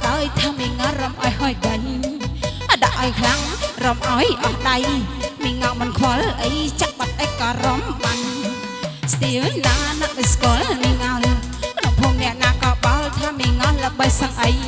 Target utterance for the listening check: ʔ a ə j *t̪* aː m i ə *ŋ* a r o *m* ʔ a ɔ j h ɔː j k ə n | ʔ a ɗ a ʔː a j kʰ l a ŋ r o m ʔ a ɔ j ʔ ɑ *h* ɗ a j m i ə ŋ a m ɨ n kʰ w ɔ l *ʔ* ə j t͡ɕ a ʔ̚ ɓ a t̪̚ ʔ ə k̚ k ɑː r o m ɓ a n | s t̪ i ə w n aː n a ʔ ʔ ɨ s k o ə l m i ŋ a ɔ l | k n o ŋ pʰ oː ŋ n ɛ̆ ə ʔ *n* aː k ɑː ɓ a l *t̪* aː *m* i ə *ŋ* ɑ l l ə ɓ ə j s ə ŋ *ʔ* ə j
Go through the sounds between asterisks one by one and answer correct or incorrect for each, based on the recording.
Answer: incorrect: t̪ʰ, correct, correct, correct, correct, correct, incorrect: t̪ʰ, correct, correct, correct

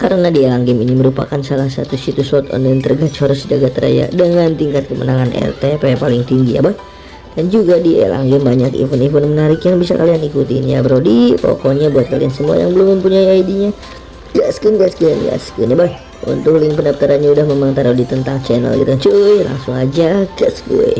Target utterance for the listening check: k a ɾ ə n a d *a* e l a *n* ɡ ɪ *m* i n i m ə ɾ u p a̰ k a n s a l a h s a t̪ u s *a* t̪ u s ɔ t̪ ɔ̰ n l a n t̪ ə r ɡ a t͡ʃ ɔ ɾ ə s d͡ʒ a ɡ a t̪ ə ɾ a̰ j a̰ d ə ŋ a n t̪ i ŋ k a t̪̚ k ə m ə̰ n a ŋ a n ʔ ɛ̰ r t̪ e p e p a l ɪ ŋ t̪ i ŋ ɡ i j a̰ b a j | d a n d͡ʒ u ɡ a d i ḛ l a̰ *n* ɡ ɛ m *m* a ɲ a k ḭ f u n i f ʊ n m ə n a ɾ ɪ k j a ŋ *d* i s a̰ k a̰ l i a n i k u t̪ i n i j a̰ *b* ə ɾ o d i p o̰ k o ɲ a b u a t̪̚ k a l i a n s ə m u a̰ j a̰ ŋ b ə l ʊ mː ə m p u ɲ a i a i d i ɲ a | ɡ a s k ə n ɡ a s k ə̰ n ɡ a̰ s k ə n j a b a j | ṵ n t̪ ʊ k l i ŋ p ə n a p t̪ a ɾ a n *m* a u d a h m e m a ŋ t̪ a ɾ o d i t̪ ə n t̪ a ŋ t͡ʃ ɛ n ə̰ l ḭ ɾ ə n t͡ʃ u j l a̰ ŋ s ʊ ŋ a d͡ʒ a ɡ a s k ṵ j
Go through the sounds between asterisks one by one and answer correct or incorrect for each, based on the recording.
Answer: incorrect: i, incorrect: ŋ, correct, incorrect: i, incorrect: ŋ, incorrect: b, incorrect: b, correct, incorrect: ɲ

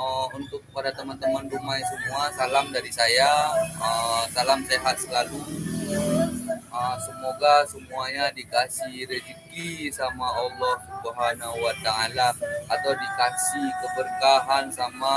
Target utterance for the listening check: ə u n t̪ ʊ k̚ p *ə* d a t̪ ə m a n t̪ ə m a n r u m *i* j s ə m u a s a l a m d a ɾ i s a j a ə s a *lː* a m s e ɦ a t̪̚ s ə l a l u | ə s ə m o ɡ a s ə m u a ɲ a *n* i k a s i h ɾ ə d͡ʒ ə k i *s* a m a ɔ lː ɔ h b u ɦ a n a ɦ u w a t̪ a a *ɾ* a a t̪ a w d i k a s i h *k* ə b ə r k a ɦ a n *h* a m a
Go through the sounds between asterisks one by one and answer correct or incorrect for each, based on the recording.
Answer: incorrect: a, incorrect: a, incorrect: l, incorrect: d, correct, incorrect: l, correct, incorrect: s

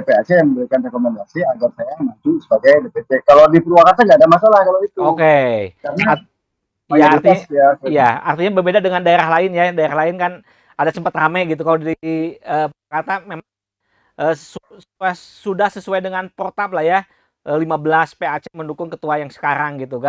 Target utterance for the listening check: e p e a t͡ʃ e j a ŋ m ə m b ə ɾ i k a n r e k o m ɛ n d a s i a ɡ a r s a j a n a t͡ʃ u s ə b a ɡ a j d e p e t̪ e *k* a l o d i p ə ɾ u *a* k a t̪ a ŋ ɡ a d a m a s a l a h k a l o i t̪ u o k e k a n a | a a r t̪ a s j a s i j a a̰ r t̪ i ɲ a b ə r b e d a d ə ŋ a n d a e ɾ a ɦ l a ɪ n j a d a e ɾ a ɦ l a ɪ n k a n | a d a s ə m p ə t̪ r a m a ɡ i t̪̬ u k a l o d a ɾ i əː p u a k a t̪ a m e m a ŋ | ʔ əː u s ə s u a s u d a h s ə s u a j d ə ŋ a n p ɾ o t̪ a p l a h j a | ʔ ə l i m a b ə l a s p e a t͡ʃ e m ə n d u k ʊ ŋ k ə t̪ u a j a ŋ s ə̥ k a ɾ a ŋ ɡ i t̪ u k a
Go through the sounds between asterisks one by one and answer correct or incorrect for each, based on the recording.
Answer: correct, correct

